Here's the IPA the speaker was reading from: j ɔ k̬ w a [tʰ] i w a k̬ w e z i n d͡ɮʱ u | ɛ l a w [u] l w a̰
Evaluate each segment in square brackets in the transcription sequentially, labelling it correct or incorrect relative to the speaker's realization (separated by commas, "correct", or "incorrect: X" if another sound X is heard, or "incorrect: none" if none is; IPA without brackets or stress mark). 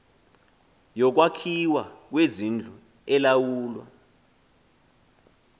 incorrect: kʰ, incorrect: uː